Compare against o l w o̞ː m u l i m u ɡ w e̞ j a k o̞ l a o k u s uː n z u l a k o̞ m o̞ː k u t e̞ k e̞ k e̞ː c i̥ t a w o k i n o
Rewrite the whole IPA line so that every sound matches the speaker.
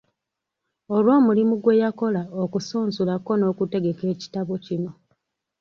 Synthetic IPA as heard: o l w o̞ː m u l i m u ɡ w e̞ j a k o̞ l a o k u s uː n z u l a k o̞ n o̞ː k u t e̞ ɡ e̞ k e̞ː c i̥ t a β o c i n o